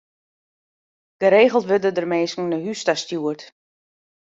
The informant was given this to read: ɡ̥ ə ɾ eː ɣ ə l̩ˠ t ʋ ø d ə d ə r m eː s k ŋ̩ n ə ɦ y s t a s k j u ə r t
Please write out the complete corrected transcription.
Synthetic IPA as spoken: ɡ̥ ə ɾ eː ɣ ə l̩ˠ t ʋ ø d ə d ə r m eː s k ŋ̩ n ə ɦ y s t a s t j u ə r t